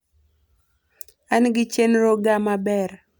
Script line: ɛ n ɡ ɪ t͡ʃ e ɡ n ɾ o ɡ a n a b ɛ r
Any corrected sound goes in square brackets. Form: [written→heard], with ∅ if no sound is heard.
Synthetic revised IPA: [ɛ→a] n ɡ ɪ t͡ʃ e [ɡ→∅] n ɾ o ɡ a [n→m] a b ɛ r